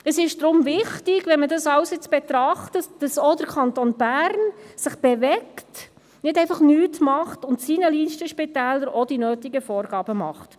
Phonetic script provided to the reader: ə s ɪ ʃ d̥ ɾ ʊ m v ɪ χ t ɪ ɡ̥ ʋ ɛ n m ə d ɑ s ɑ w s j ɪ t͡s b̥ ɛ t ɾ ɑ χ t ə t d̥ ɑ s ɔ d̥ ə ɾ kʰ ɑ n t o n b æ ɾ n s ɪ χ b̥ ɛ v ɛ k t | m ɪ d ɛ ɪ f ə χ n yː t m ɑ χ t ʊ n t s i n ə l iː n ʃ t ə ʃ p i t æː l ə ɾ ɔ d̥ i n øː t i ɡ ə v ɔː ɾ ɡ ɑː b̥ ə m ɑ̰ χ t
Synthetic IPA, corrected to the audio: ə s ɪ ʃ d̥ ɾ ʊ m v ɪ χ t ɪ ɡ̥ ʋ ɛ n m ə d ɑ s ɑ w s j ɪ t͡s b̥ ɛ t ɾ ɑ χ t ə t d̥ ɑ s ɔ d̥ ə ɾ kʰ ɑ n t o n b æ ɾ n s ɪ χ b̥ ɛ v ɛ k t | n ɪ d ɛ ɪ f ɑ χ n yː t m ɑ χ t ʊ n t s i n ə l iː n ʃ t ə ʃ p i t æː l ə ɾ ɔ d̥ i n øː t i ɡ ə f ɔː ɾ ɡ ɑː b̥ ə m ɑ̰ χ t